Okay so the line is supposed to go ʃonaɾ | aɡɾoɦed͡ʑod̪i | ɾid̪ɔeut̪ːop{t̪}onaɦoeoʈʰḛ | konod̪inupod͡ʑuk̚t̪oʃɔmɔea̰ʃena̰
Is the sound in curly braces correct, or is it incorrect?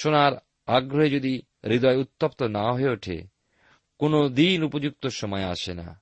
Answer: correct